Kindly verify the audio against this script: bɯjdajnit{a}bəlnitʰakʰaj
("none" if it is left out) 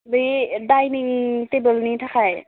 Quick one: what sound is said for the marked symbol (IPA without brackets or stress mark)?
e